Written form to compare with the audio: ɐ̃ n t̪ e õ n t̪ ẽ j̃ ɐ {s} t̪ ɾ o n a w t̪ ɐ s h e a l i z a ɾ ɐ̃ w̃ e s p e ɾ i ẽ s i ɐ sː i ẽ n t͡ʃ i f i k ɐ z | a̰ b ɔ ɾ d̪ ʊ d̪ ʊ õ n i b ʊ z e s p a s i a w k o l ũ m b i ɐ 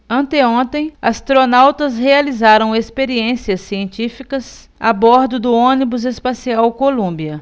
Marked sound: correct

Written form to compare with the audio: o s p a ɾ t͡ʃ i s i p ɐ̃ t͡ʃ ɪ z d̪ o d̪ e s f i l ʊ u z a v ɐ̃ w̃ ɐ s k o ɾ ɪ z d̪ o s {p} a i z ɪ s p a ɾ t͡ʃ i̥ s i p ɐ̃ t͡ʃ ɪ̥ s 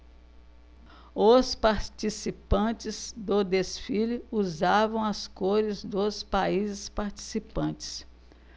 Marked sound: correct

